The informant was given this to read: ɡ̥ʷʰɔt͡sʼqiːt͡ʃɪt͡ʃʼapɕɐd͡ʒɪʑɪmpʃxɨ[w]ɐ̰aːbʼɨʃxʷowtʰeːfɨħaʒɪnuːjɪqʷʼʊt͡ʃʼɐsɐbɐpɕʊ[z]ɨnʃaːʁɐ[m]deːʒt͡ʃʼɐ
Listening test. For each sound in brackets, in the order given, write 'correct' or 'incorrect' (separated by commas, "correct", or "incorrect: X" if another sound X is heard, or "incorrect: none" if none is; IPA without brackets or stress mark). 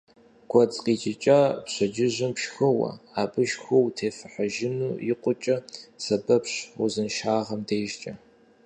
correct, correct, correct